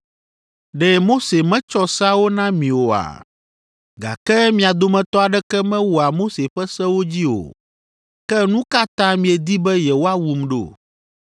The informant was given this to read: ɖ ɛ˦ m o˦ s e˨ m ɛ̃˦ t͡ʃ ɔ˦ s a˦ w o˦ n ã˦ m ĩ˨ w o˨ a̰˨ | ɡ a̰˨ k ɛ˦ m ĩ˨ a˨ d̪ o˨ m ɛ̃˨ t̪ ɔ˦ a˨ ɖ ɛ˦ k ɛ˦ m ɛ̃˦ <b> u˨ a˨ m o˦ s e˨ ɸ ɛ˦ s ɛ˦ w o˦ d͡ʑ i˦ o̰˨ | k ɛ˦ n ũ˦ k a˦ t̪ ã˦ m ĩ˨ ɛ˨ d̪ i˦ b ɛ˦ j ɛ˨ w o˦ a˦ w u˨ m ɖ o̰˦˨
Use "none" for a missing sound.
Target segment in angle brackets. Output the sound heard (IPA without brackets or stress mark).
w